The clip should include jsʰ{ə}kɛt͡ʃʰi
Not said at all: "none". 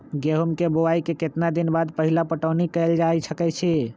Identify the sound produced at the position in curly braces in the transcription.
ə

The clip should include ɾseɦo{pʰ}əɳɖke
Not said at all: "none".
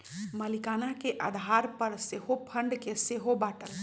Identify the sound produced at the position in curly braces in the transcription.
pʰ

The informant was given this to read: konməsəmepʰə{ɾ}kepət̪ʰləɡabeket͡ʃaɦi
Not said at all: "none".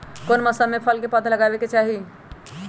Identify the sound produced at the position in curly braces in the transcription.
l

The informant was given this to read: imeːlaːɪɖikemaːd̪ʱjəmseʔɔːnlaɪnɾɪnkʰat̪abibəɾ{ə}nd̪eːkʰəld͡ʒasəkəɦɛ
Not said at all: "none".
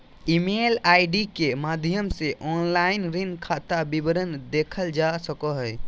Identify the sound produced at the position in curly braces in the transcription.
ə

